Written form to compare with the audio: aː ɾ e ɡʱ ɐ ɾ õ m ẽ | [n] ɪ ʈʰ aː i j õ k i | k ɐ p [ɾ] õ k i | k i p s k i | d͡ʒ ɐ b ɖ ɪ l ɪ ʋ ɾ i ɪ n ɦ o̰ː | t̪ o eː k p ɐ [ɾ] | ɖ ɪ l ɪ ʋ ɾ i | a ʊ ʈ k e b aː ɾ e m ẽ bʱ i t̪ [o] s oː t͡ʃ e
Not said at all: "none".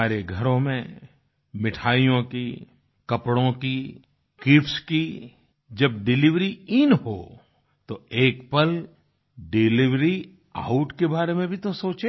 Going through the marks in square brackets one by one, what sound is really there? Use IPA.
m, ɽ, l, o

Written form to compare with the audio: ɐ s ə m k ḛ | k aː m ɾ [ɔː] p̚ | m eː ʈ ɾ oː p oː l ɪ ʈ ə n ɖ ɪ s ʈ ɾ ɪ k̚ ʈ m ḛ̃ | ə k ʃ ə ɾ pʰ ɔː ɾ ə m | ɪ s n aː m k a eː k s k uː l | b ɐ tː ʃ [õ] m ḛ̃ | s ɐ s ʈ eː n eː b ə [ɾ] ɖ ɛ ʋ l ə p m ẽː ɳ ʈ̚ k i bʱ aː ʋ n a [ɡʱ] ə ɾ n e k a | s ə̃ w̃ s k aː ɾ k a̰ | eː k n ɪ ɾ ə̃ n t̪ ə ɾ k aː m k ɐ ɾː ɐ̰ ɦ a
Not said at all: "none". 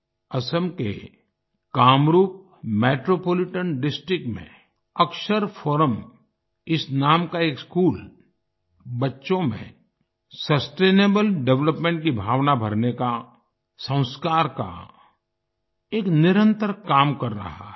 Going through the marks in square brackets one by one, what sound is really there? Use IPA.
uː, õ, l, bʱ

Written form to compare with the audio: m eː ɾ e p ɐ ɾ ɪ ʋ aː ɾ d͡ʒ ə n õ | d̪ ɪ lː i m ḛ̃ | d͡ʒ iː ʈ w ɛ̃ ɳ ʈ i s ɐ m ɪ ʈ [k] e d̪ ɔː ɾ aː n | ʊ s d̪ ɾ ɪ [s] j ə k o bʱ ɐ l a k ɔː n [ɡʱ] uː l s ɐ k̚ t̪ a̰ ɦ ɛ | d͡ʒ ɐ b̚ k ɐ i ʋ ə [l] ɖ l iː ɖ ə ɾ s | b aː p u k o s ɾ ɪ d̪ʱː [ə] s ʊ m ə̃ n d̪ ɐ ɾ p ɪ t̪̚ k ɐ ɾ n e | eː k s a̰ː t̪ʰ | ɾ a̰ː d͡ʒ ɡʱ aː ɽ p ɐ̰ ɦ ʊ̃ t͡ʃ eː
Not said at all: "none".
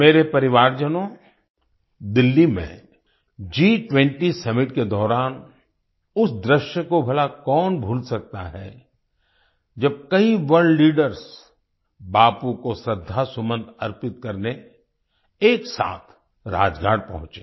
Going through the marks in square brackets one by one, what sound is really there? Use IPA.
k, ʃ, bʱ, ɾ, a

